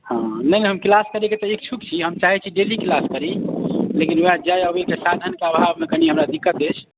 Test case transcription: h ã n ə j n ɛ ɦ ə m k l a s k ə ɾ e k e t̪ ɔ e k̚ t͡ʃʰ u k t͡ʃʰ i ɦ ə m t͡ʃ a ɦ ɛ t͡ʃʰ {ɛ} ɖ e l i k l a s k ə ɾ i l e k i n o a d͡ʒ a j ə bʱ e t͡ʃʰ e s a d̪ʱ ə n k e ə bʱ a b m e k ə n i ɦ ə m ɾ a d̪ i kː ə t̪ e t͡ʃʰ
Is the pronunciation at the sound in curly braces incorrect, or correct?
incorrect